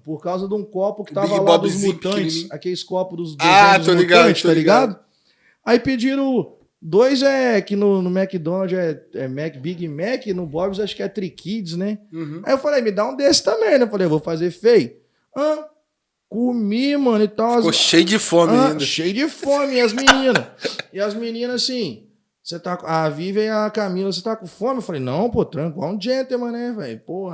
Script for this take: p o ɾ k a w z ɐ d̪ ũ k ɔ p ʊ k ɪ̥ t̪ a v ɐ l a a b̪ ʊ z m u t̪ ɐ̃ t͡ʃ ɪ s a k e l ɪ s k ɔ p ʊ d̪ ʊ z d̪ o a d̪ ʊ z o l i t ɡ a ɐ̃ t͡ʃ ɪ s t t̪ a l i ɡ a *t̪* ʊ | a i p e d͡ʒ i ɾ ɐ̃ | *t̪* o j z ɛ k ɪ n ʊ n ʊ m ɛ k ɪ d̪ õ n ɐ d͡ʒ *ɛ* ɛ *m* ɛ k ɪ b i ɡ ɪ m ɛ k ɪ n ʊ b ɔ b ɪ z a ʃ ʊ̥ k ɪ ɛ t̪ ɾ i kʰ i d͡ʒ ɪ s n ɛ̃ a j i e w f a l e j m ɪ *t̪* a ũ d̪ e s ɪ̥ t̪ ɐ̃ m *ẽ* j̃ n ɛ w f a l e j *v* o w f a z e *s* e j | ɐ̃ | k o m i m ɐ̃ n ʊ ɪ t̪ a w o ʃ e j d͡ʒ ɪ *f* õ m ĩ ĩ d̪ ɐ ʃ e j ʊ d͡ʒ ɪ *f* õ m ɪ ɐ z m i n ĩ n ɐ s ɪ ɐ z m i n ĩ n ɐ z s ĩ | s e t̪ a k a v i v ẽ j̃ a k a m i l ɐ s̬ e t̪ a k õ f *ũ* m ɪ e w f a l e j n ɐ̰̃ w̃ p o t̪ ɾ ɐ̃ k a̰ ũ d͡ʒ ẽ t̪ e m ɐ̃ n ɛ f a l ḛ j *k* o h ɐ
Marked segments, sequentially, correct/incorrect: incorrect, incorrect, correct, correct, incorrect, correct, correct, incorrect, correct, correct, incorrect, incorrect

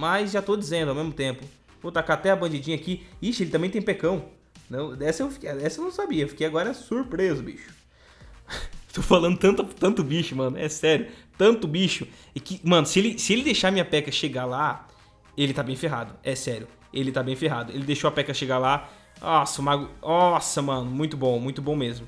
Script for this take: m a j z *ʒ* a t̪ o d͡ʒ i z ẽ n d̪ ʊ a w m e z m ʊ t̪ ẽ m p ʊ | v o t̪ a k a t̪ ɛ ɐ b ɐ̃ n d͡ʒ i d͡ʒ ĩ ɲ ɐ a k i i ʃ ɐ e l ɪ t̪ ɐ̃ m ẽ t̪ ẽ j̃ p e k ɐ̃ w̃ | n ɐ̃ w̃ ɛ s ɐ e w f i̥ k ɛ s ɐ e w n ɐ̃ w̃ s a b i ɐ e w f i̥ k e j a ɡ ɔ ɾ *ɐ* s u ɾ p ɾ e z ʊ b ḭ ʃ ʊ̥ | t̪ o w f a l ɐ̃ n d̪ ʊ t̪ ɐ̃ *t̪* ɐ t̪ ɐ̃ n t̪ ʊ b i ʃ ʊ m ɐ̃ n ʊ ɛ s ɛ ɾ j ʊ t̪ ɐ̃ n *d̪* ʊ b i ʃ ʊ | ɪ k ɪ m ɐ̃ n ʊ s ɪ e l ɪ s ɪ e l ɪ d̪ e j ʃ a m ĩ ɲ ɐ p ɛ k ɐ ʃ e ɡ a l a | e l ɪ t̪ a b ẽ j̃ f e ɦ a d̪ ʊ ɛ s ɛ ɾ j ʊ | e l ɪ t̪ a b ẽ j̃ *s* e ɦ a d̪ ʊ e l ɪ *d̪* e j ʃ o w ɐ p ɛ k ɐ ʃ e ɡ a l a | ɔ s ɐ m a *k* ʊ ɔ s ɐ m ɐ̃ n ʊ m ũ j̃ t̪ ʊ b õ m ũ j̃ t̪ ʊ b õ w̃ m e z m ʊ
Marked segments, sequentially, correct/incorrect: correct, correct, correct, incorrect, incorrect, correct, incorrect

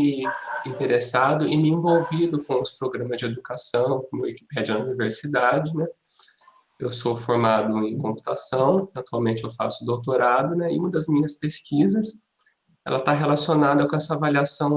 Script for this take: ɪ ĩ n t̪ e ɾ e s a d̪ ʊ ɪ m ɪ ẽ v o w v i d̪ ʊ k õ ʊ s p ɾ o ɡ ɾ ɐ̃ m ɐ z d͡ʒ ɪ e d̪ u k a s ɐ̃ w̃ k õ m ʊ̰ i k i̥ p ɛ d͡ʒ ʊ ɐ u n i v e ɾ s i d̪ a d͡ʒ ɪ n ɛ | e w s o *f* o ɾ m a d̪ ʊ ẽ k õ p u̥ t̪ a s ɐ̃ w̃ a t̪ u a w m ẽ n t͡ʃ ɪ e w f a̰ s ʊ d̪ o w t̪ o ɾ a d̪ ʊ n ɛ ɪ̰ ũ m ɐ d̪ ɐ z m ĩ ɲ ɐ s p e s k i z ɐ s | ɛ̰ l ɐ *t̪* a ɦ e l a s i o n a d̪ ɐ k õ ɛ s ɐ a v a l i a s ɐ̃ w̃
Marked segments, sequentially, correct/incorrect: correct, correct

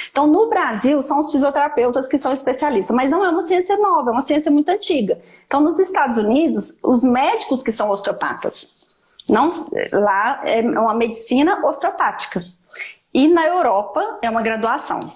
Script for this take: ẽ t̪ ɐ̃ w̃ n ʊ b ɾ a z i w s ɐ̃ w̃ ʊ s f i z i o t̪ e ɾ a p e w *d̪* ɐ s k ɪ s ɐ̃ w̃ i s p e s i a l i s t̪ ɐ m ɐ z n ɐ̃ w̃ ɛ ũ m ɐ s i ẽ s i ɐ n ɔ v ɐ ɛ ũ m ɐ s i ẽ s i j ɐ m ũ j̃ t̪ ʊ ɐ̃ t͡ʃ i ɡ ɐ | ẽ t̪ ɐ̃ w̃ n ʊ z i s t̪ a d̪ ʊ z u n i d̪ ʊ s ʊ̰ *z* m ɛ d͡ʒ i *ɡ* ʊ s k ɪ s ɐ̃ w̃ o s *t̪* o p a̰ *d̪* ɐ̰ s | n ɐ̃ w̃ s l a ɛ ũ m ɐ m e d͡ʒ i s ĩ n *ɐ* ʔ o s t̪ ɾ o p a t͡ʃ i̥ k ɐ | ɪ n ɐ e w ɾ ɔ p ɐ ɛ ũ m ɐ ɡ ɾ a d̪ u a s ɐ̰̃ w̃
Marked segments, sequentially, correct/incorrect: incorrect, correct, incorrect, correct, incorrect, correct

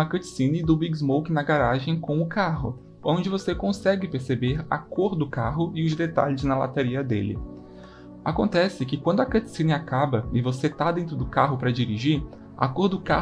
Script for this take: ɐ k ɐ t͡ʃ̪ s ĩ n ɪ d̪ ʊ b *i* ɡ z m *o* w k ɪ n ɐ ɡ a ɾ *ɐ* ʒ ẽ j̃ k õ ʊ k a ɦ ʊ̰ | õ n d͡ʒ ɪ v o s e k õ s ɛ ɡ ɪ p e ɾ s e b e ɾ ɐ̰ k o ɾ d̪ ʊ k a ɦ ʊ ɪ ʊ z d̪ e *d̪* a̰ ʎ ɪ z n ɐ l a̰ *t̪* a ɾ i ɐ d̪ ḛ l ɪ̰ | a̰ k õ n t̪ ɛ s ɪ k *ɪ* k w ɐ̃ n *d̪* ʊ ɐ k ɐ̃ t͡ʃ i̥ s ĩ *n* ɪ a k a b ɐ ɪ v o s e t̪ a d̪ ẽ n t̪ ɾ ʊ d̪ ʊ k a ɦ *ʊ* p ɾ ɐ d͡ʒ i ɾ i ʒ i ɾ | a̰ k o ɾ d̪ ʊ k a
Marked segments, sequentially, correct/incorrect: correct, correct, incorrect, incorrect, correct, correct, correct, correct, correct

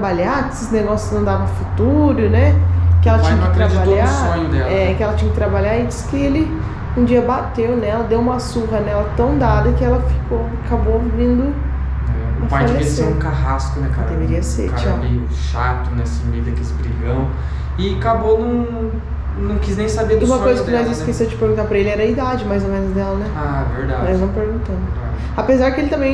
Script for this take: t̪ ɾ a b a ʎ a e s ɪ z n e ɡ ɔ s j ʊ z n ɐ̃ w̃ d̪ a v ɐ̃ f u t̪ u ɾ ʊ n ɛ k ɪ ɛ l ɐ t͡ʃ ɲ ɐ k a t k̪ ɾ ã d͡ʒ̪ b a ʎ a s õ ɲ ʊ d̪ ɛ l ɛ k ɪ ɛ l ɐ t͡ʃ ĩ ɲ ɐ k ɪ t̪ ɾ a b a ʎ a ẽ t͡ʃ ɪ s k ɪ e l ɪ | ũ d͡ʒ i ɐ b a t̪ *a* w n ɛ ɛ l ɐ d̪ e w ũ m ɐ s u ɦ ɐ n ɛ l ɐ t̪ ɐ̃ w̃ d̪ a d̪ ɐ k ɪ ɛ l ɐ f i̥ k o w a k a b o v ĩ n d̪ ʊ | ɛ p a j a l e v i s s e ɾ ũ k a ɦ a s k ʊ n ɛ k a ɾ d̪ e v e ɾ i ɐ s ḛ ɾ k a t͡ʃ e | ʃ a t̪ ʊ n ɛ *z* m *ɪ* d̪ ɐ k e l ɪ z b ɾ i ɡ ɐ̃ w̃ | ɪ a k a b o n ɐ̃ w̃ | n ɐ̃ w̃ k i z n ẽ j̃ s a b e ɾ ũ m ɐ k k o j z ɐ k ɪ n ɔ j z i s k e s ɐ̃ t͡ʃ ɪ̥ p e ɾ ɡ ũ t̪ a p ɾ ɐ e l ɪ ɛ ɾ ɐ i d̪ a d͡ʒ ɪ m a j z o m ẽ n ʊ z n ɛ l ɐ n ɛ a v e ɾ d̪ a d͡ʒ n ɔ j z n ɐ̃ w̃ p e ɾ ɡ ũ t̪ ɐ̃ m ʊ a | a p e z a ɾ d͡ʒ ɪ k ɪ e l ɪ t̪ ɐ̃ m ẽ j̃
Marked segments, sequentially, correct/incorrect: incorrect, incorrect, incorrect

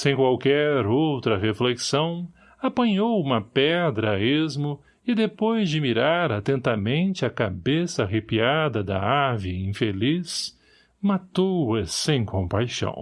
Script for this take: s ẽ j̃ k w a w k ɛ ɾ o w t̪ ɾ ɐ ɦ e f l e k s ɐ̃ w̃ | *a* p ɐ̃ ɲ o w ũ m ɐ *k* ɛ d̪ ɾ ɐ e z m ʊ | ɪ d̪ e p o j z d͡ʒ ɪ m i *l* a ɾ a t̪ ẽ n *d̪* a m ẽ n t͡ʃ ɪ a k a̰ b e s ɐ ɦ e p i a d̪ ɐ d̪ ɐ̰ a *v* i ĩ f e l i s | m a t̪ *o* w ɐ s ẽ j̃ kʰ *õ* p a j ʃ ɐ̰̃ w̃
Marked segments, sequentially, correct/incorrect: correct, incorrect, incorrect, incorrect, correct, correct, correct

